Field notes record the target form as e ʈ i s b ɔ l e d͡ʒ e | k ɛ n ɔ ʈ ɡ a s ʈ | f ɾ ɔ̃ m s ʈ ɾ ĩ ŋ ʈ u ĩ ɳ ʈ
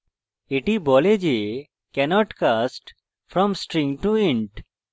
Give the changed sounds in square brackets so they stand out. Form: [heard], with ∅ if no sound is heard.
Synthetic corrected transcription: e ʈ i [∅] b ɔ l e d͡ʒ e | k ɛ n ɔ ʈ [k] a s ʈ | f ɾ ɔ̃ m s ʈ ɾ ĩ ŋ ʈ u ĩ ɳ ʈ